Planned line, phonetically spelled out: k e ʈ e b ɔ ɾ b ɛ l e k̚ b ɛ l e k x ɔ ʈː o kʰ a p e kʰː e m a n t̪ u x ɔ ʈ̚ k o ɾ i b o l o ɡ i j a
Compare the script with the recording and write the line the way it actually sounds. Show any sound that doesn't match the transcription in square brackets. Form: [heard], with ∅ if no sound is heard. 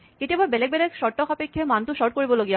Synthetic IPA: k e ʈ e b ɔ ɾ b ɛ l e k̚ b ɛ l e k [ʃ] ɔ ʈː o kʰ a p e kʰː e m a n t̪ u [ʃ] ɔ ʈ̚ k o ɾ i b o l o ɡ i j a